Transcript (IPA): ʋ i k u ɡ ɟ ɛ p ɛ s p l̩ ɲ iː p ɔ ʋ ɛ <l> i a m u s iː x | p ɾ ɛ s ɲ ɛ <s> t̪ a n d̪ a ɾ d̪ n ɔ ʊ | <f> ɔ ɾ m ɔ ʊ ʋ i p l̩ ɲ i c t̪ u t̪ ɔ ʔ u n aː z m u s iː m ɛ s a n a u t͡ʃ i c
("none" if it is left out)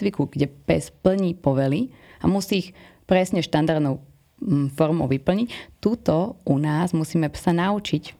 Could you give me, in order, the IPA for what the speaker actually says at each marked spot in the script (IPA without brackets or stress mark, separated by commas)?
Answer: l, ʃ, f